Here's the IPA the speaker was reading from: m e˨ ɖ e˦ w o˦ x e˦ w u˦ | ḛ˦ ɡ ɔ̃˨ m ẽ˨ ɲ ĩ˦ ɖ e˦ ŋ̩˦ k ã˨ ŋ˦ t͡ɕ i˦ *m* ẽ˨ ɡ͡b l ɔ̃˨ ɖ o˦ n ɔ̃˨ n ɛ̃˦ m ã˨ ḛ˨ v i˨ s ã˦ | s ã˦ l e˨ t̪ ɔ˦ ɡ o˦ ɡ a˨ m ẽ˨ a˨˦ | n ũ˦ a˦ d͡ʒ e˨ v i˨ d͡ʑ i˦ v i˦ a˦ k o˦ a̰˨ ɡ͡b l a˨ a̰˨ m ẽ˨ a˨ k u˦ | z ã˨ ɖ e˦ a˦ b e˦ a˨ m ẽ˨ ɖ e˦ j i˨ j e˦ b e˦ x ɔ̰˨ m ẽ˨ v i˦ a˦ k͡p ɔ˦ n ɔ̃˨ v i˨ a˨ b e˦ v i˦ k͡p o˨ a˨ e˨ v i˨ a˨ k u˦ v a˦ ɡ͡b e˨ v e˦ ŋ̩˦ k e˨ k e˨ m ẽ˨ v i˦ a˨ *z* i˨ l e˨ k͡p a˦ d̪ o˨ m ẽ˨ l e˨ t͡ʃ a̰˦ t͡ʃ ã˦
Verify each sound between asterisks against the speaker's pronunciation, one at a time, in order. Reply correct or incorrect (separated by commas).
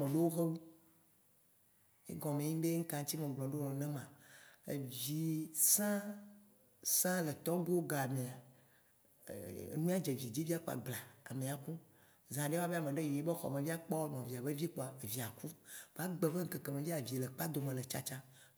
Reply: correct, incorrect